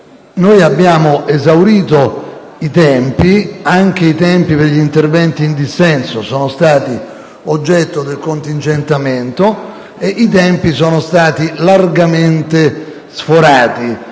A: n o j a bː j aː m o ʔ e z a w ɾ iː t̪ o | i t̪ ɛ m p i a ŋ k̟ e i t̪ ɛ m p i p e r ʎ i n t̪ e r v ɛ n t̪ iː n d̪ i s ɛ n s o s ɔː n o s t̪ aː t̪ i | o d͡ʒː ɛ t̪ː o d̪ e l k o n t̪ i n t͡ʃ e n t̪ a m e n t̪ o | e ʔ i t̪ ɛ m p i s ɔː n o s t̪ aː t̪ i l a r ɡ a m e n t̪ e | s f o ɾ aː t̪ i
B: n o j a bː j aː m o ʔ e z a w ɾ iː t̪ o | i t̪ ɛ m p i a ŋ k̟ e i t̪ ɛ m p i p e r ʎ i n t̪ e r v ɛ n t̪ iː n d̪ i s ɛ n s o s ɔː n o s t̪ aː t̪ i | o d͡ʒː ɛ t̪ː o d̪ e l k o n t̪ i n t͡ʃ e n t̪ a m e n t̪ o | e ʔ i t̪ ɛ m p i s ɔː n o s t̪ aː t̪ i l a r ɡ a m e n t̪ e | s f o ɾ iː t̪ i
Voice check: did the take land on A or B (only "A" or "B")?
A